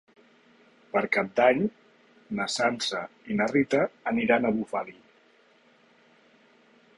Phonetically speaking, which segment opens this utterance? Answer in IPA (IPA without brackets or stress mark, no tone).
p